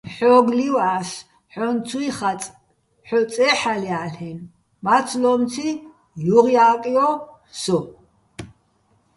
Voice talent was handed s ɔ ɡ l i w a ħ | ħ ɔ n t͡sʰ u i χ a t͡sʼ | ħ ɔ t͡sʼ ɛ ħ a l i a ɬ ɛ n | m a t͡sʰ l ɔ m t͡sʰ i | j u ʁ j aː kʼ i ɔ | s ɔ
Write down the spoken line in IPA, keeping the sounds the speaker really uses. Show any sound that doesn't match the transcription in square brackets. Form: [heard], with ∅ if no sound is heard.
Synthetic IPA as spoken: [ħ] ɔ ɡ l i w a [s] | ħ ɔ n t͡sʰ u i χ a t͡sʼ | ħ ɔ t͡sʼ ɛ ħ a l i a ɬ ɛ n | m a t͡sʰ l ɔ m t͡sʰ i | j u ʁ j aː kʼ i ɔ | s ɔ